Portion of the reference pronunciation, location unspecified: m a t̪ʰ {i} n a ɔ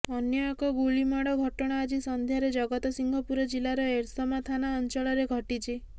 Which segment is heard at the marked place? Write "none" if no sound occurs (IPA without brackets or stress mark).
a